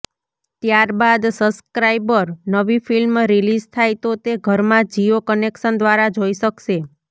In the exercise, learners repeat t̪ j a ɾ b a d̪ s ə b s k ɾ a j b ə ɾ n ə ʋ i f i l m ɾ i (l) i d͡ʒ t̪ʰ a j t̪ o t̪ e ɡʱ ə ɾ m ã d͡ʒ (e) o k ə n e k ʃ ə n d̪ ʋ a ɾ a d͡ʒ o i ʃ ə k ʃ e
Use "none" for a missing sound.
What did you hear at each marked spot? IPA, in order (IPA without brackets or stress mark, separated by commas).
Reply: l, i